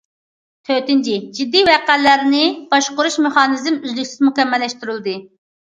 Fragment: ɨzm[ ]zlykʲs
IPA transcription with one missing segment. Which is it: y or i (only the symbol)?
y